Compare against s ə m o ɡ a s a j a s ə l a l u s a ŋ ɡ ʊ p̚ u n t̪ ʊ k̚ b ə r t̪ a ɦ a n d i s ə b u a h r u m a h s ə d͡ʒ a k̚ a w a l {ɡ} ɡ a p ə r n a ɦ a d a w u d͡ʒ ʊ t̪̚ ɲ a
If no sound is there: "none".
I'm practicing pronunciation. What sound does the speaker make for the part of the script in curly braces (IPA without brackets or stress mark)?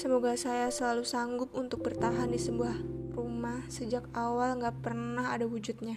ŋ